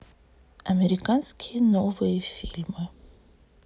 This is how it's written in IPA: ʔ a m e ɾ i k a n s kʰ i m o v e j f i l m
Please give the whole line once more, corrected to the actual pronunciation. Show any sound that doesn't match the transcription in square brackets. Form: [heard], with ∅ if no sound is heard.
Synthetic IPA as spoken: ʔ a m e ɾ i k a n s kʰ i [n] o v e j f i l m